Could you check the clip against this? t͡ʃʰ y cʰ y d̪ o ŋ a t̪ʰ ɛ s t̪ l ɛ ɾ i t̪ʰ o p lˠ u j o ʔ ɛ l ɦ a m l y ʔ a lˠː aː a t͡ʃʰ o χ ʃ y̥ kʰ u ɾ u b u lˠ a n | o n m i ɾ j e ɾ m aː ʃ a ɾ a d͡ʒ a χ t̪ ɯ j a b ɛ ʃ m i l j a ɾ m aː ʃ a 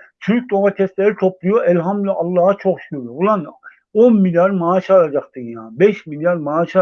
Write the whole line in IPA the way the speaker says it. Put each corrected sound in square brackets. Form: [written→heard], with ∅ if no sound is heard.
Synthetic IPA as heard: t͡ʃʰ y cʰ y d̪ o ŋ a t̪ʰ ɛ s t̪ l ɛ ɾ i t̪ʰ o p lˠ u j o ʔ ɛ l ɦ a m l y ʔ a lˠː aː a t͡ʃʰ o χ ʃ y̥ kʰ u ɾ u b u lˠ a n | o n m i [ɾ→l] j [e→a] ɾ m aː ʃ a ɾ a d͡ʒ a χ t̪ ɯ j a b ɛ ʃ m i l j a ɾ m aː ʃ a